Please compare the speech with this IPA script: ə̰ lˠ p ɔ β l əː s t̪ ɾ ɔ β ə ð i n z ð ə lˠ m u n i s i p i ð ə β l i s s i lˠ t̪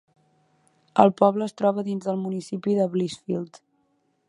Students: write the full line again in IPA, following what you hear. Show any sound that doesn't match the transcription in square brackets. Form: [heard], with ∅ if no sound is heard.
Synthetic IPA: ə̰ lˠ p ɔ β l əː s t̪ ɾ ɔ β ə ð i n z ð ə lˠ m u n i s i p i ð ə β l i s [f] i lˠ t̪